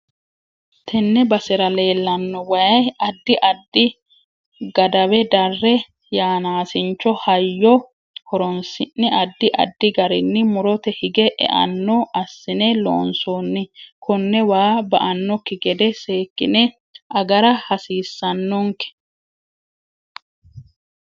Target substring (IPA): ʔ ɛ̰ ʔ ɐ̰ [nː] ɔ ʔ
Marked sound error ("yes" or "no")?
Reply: no